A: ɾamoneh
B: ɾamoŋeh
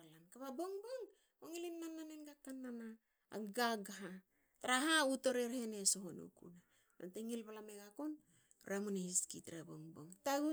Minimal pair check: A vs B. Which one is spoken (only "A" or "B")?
A